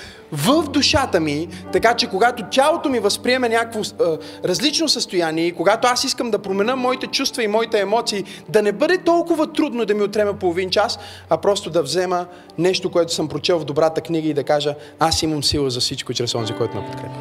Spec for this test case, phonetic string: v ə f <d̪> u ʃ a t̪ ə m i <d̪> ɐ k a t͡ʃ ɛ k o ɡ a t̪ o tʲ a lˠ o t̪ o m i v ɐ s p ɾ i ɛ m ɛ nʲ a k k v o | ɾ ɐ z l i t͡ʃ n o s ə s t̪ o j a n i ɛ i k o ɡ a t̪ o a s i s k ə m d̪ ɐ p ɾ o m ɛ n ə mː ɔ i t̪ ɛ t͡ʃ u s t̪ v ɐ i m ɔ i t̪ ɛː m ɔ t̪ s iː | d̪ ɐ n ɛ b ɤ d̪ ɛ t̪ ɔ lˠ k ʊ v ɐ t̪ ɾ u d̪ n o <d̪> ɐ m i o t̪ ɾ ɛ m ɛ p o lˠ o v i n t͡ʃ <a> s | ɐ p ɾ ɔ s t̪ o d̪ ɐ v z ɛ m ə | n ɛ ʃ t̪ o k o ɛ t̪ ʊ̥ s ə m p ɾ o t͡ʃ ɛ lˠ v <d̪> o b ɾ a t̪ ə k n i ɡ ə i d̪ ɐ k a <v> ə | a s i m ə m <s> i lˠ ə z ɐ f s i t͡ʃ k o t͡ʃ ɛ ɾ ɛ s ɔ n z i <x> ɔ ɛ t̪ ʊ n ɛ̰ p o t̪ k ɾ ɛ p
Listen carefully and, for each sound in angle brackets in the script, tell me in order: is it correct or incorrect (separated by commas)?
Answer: correct, incorrect, correct, correct, correct, incorrect, correct, incorrect